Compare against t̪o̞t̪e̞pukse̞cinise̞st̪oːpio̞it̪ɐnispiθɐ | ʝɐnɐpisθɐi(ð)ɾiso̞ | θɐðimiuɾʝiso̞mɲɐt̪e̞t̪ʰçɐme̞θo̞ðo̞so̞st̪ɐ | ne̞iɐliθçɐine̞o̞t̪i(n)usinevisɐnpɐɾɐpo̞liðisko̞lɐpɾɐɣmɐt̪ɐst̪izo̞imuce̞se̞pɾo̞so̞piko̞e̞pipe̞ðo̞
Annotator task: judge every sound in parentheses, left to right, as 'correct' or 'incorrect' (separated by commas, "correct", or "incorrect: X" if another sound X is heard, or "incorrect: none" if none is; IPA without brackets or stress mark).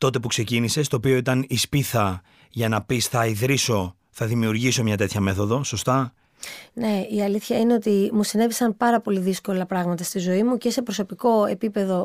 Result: correct, incorrect: m